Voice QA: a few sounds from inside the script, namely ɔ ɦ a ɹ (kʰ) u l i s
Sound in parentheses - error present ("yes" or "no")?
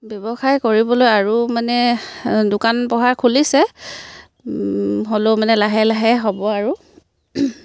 no